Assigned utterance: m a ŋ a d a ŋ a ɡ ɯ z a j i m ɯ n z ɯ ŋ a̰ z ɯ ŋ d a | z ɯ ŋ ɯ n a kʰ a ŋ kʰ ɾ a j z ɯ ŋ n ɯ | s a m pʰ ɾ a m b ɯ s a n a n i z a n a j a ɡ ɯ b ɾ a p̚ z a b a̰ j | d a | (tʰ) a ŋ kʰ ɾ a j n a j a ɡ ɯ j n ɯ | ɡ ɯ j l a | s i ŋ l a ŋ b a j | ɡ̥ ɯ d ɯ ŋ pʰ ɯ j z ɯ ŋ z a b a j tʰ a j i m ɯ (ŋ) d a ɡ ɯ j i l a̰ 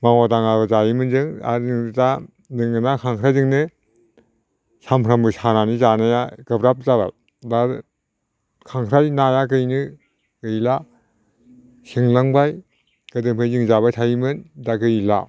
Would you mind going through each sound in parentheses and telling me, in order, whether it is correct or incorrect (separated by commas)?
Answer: incorrect, incorrect